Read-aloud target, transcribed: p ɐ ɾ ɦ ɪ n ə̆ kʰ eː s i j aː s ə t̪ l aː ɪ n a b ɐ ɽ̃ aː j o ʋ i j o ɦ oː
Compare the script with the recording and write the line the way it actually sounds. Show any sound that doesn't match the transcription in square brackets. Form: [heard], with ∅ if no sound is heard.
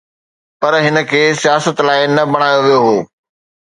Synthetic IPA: p ɐ ɾ ɦ ɪ n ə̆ kʰ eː s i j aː s ə t̪ l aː ɪ n [ɐ] b ɐ ɽ̃ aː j o ʋ i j o ɦ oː